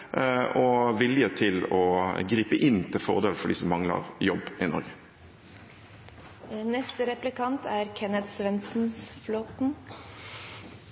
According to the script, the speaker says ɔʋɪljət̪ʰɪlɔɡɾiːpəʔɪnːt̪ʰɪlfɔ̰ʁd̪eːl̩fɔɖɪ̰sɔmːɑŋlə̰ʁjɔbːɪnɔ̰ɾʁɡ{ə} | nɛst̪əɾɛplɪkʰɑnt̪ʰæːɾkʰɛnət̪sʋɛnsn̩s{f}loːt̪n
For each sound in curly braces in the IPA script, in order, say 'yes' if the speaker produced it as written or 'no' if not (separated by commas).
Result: yes, yes